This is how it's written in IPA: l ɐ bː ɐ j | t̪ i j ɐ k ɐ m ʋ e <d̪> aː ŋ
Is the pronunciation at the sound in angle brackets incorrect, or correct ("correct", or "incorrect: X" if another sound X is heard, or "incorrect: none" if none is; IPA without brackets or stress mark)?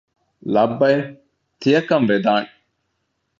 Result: correct